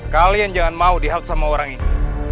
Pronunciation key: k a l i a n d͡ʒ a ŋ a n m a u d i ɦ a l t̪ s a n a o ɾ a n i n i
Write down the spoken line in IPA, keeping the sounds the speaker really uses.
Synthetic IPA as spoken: k a l i a n d͡ʒ a ŋ a n m a u d i ɦ a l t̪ s a m a o ɾ a ŋ i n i